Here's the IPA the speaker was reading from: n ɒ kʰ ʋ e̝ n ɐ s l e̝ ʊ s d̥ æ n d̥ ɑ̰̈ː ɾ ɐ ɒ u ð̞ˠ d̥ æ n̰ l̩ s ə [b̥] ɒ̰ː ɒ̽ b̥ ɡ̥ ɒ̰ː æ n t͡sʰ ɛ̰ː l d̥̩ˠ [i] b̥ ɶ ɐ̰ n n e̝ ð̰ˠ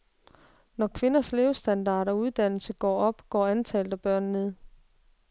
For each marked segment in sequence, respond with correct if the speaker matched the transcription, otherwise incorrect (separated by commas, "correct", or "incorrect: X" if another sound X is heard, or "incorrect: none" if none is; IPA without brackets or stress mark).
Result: incorrect: ɡ̥, incorrect: æ